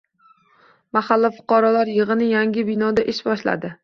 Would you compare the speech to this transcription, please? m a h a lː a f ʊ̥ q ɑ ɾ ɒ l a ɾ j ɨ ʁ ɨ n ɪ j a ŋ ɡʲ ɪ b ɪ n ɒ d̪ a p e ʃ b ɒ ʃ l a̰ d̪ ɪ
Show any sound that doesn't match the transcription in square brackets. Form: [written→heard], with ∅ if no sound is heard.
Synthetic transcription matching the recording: m a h a lː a f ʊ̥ q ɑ ɾ ɒ l a ɾ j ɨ ʁ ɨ n ɪ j a ŋ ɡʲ ɪ b ɪ n ɒ d̪ a [p→ʔ] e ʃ b ɒ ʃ l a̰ d̪ ɪ